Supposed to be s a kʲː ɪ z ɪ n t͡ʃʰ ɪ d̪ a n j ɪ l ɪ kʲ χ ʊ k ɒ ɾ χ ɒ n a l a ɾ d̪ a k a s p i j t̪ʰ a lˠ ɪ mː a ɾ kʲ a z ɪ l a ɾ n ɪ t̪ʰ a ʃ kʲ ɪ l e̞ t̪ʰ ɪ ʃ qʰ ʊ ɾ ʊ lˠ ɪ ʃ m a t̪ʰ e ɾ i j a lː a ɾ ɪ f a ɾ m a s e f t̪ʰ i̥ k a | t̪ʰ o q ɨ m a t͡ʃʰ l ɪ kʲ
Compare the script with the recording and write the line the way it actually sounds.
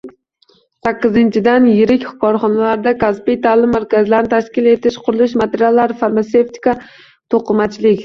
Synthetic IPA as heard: s a kʲː ɪ z ɪ n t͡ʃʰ ɪ d̪ a n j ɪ ɾ ɪ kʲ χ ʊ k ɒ ɾ χ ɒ n a l a ɾ d̪ a k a s p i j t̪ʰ a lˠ ɪ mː a ɾ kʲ a z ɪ l a ɾ n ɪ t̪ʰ a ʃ kʲ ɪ l e̞ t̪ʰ ɪ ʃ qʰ ʊ ɾ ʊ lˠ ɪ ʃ m a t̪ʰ e ɾ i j a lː a ɾ ɪ f a ɾ m a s e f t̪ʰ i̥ k a | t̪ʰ o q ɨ m a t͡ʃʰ l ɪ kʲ